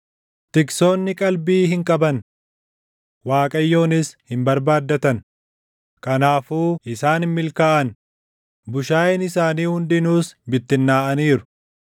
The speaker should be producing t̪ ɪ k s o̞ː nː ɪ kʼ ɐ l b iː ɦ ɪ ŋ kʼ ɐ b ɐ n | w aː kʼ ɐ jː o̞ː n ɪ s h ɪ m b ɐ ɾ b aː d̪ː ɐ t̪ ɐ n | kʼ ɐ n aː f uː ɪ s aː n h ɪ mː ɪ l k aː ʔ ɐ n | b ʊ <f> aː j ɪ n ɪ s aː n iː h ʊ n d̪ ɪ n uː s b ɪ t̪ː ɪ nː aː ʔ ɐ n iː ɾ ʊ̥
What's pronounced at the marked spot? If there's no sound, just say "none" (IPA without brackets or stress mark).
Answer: ʃ